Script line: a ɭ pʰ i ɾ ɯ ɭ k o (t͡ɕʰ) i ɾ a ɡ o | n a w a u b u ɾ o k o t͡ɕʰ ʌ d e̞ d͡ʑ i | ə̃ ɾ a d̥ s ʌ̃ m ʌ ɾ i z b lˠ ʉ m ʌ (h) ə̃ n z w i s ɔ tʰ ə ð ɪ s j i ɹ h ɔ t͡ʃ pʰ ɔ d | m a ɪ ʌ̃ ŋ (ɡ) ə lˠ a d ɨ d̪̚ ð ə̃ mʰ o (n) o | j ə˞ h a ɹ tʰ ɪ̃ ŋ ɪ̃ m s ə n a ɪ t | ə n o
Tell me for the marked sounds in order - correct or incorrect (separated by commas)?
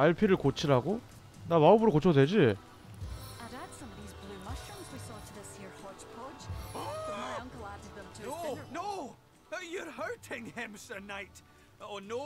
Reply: correct, incorrect, incorrect, correct